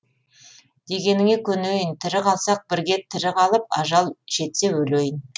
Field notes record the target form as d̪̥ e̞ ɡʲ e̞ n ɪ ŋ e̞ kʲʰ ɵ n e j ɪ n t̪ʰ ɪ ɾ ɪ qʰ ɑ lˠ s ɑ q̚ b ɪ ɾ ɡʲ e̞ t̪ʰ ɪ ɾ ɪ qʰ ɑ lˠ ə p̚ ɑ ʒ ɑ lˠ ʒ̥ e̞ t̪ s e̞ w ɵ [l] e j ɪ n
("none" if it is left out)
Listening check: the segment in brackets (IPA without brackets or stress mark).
l